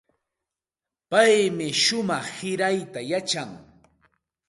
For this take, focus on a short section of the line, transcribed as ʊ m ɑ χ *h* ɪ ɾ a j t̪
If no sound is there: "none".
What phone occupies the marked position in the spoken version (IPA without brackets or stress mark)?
h